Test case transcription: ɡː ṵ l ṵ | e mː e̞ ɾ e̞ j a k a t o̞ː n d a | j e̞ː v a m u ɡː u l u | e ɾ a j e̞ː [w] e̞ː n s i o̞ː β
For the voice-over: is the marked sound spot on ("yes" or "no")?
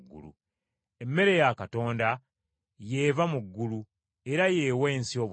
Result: yes